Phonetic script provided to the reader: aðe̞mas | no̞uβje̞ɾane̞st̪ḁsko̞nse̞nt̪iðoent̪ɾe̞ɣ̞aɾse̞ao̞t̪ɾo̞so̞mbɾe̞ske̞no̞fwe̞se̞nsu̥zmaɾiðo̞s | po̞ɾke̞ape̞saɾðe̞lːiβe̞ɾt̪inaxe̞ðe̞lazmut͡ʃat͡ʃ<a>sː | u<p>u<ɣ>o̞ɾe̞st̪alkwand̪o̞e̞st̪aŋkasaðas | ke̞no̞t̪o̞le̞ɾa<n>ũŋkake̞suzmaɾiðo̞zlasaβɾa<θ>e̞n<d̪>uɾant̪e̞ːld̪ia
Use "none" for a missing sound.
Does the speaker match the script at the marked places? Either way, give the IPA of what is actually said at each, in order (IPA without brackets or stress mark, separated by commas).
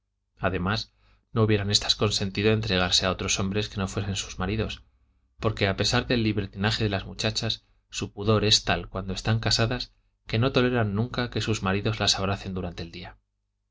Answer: a, p, ð, nː, θ, d̪